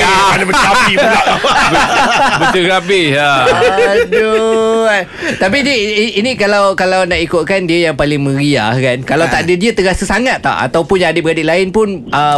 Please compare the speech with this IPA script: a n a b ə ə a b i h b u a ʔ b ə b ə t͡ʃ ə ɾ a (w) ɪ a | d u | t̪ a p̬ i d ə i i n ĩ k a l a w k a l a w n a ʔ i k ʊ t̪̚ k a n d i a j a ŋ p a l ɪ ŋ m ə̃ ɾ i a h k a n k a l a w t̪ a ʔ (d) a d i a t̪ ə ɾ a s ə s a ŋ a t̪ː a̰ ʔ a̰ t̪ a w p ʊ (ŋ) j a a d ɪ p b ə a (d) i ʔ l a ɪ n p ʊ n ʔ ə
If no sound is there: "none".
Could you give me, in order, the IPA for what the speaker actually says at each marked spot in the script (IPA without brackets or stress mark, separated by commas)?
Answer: b, d, n, d